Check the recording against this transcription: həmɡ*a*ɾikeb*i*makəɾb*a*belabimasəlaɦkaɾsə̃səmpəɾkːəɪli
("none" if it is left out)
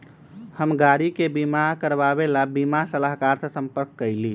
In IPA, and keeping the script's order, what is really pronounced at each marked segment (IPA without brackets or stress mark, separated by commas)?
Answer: a, i, a